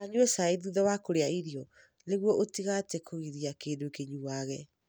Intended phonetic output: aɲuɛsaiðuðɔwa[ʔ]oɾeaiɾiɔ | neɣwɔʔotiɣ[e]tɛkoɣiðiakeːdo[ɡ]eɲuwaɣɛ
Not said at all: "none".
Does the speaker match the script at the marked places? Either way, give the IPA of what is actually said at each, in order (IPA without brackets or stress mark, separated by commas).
k, a, k